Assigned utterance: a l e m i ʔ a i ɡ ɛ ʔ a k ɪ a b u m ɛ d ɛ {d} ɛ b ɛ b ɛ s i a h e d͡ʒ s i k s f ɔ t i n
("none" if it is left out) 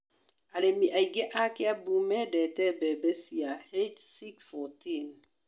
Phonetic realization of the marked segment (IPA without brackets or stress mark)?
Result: t